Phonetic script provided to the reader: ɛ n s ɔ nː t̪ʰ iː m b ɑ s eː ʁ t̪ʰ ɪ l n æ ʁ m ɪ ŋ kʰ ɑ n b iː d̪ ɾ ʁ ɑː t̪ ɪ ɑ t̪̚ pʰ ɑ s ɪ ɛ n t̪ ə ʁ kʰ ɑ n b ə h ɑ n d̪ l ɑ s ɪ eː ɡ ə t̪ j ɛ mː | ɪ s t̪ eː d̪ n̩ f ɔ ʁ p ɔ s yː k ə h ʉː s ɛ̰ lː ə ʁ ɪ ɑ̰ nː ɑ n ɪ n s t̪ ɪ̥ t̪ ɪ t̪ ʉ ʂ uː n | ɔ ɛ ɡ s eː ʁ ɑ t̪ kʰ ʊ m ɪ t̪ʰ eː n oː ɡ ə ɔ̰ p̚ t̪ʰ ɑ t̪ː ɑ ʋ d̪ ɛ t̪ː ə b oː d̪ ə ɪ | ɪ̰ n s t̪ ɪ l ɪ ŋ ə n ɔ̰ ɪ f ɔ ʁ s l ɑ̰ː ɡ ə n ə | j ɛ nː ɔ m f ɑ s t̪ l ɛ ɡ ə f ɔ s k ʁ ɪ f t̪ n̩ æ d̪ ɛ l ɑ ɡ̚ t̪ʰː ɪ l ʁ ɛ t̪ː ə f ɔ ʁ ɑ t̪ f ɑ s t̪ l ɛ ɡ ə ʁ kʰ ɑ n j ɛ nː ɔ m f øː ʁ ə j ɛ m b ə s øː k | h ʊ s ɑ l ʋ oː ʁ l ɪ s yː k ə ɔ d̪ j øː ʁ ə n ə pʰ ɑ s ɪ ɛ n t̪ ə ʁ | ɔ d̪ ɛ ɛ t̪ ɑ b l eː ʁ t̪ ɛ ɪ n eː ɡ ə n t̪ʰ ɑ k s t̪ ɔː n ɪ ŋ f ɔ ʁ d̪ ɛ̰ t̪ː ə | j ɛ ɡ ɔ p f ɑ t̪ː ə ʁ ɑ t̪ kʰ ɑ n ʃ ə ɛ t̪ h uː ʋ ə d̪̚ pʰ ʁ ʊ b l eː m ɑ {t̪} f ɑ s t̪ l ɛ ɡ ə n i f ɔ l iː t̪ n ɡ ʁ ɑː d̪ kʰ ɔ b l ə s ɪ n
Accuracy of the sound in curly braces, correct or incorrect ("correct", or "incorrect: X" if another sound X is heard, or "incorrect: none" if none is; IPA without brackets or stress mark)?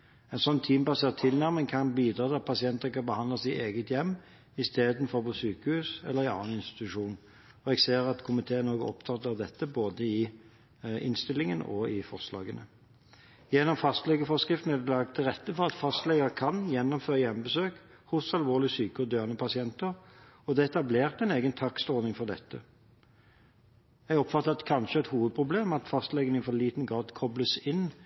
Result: correct